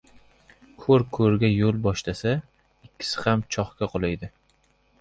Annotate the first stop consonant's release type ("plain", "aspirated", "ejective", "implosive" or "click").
aspirated